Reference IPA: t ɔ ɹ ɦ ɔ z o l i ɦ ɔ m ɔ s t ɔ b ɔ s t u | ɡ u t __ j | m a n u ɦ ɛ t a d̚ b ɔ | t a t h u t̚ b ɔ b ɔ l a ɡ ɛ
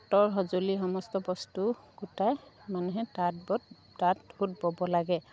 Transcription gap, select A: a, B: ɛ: A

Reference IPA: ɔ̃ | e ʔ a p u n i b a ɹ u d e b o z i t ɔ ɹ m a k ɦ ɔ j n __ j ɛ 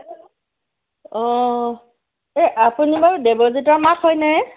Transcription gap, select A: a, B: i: A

